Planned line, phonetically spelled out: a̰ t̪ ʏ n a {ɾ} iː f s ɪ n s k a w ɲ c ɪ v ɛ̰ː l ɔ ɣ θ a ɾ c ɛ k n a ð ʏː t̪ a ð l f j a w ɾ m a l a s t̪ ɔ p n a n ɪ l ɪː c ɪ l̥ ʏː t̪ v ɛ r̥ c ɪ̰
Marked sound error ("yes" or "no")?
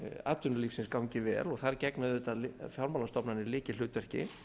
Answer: yes